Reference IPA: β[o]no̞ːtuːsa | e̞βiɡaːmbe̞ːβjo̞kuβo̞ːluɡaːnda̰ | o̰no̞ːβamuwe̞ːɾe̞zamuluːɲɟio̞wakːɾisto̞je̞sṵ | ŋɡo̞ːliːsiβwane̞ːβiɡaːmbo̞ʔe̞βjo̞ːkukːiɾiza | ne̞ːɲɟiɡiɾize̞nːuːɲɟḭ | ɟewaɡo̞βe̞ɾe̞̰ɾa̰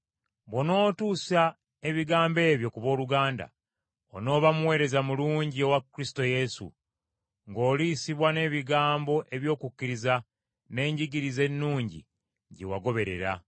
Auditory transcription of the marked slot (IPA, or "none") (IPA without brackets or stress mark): o